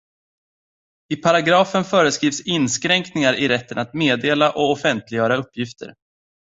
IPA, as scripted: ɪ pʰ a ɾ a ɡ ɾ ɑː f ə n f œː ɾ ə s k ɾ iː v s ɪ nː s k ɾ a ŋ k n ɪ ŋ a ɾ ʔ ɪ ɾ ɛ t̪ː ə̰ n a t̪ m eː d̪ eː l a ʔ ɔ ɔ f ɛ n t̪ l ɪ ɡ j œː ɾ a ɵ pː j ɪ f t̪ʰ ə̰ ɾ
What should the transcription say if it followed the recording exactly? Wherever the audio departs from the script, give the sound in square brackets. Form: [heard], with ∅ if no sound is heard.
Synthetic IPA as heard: ɪ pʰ a ɾ a ɡ ɾ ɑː f ə n f œː ɾ ə s k ɾ iː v s ɪ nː s k ɾ [ɛ] ŋ k n ɪ ŋ a ɾ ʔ ɪ ɾ ɛ t̪ː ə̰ n a t̪ m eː d̪ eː l a ʔ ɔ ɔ f ɛ n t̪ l ɪ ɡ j œː ɾ a ɵ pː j ɪ f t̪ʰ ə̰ ɾ